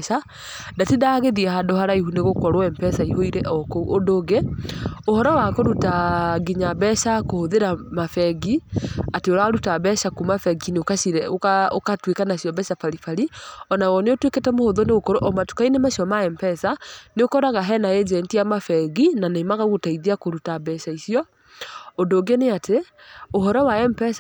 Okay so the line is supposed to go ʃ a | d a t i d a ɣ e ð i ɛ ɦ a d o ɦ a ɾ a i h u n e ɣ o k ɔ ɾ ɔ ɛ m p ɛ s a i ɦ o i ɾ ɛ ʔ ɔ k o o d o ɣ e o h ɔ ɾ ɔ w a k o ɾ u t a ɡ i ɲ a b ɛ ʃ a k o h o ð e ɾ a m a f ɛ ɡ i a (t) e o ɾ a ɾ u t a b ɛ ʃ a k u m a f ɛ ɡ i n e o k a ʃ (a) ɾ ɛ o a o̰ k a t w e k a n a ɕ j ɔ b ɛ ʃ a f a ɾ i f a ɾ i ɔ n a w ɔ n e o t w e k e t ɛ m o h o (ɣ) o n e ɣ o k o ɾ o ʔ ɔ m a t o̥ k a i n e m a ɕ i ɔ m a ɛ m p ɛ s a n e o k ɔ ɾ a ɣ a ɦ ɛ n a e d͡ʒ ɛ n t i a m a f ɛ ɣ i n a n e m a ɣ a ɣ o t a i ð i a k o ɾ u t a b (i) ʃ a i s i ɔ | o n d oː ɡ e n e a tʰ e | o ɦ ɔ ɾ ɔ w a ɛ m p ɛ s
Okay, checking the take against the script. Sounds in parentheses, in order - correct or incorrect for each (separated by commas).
correct, incorrect, incorrect, incorrect